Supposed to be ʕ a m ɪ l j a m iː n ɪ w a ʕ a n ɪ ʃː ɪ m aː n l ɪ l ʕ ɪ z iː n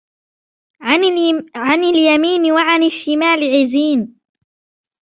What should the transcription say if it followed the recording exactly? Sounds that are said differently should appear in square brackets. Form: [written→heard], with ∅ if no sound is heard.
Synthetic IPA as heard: ʕ a [m→n] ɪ l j a m iː n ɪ w a ʕ a n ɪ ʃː ɪ m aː [n→∅] l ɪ [l→∅] ʕ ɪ z iː n